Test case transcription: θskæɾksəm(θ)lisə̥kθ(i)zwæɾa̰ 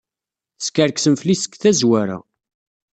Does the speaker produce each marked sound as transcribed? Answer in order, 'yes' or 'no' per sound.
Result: no, no

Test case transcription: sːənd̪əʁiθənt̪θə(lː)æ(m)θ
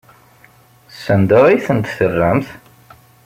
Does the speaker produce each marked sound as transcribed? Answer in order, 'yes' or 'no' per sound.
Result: no, yes

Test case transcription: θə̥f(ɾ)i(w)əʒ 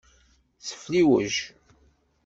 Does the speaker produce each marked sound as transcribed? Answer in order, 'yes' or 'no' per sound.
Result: no, yes

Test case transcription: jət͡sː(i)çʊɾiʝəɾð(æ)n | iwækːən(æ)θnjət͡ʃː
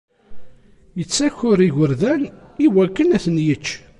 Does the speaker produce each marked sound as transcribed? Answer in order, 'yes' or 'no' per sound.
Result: no, yes, yes

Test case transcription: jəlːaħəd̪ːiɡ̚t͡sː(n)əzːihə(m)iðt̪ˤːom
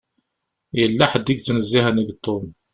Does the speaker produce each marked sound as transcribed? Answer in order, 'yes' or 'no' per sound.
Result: yes, no

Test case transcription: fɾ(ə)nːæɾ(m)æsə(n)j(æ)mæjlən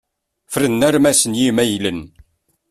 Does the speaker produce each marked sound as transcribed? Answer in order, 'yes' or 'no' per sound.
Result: yes, yes, yes, no

